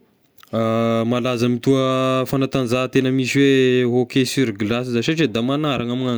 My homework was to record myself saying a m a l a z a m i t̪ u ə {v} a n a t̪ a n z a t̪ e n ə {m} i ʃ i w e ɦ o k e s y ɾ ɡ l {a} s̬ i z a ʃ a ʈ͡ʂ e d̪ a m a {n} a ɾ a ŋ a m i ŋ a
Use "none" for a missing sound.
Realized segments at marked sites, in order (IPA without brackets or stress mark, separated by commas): f, m, a, n